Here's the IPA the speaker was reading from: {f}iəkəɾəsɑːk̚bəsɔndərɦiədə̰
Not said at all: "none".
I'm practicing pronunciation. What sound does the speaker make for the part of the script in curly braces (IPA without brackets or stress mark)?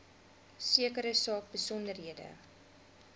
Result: s